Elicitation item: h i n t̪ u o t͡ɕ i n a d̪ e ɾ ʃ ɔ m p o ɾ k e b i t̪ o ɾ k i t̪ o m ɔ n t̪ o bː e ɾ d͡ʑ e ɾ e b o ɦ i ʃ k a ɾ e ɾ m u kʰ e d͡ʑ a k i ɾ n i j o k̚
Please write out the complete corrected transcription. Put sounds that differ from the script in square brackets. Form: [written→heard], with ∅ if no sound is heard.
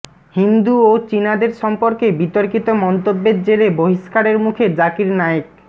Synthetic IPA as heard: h i n [t̪→d̪] u o t͡ɕ i n a d̪ e ɾ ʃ ɔ m p o ɾ k e b i t̪ o ɾ k i t̪ o m ɔ n t̪ o bː e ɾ d͡ʑ e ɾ e b o ɦ i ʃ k a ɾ e ɾ m u kʰ e d͡ʑ a k i ɾ n [i→a] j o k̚